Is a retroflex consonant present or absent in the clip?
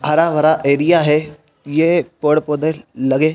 present